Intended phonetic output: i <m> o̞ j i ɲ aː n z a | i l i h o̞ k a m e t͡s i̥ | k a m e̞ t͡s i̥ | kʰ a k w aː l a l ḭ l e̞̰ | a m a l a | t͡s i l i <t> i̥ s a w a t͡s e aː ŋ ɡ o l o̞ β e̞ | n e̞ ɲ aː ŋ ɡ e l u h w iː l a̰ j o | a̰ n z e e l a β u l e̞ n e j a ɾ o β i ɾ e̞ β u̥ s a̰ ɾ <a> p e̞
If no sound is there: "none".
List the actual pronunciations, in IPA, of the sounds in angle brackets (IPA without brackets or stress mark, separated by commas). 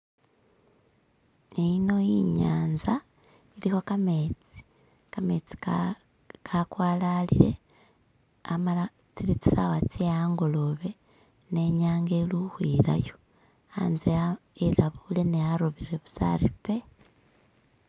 n, t͡s, i